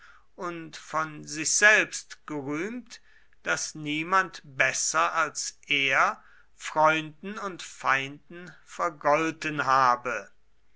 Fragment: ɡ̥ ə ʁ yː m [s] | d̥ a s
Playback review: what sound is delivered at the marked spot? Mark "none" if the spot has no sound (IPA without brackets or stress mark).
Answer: t